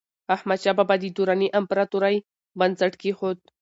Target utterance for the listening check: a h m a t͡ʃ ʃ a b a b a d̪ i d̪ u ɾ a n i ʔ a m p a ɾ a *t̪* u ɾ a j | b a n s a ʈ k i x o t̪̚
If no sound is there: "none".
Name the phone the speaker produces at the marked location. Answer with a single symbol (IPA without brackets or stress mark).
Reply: t̪